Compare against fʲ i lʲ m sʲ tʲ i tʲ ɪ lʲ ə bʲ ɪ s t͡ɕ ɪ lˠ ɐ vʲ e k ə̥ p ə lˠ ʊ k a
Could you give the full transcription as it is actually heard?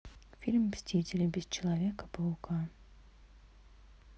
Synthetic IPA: fʲ i lʲ m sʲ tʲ i tʲ ɪ lʲ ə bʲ ɪ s t͡ɕ ɪ lˠ ɐ vʲ e k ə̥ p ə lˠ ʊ k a